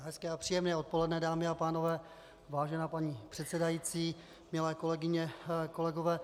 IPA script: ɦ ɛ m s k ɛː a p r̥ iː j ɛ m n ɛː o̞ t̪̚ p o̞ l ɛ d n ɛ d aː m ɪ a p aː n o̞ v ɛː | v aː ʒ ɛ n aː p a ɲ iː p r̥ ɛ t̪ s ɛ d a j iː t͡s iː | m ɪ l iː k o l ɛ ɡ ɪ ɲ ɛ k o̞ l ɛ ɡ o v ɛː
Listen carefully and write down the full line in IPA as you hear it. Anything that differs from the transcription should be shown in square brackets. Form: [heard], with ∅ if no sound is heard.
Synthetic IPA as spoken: ɦ ɛ [∅] s k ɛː a p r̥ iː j ɛ m n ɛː o̞ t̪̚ p o̞ l ɛ d n ɛ d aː m ɪ a p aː n o̞ v ɛː | v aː ʒ ɛ n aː p a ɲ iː p r̥ ɛ t̪ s ɛ d a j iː t͡s iː | m ɪ l [ɛː] k o l ɛ ɡ ɪ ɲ ɛ k o̞ l ɛ ɡ o v ɛː